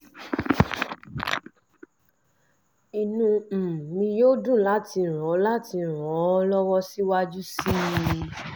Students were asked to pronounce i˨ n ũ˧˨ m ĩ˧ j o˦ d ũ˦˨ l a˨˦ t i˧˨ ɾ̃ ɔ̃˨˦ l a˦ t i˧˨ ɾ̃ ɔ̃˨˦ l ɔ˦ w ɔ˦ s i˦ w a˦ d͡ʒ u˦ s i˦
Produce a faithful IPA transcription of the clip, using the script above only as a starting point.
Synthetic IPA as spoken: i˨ n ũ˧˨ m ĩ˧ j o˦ d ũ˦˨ l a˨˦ t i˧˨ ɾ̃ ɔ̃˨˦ l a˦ t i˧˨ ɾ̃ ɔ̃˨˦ l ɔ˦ w ɔ˦ s i˦ w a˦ d͡ʒ u˦ s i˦

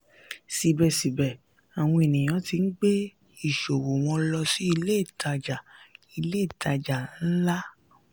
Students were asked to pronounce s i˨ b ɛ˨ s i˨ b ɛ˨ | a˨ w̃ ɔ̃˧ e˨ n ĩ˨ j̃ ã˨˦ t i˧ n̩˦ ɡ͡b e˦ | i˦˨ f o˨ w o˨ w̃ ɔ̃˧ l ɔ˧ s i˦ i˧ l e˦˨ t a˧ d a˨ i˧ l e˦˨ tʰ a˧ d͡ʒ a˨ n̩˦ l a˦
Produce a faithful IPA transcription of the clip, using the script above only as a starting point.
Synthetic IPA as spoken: s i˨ b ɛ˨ s i˨ b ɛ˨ | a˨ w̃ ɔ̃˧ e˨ n ĩ˨ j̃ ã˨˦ t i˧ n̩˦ ɡ͡b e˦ | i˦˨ ʃ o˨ w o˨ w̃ ɔ̃˧ l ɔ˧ s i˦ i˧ l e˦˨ t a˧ d͡ʒ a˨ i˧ l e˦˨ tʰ a˧ d͡ʒ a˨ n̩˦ l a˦

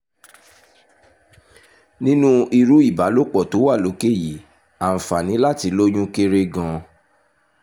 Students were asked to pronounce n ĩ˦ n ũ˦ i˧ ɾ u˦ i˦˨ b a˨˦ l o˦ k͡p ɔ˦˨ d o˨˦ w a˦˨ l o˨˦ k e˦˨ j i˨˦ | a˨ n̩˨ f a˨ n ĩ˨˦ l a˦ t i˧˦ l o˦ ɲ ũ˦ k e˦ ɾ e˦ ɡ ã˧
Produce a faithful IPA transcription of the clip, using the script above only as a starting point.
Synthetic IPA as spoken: n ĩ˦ n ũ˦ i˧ ɾ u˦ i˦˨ b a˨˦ l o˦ k͡p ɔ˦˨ t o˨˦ w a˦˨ l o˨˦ k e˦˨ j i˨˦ | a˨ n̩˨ f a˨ n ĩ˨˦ l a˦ t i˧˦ l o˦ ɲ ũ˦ k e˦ ɾ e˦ ɡ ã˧

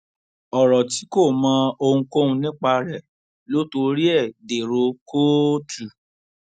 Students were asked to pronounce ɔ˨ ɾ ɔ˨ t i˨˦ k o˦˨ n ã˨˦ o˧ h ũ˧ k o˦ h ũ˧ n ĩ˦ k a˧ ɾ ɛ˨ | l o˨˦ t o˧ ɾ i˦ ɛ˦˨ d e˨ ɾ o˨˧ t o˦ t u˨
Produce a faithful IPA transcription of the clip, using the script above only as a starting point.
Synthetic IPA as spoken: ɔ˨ ɾ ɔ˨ t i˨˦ k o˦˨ m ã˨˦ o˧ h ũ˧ k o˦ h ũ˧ n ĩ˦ k͡p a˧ ɾ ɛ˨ | l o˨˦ t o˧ ɾ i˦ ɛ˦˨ d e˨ ɾ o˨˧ k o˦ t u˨

